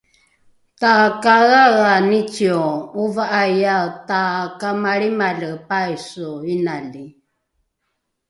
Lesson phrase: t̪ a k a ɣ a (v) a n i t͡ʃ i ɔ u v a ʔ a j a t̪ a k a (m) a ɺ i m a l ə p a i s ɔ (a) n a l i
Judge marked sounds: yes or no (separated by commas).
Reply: no, yes, no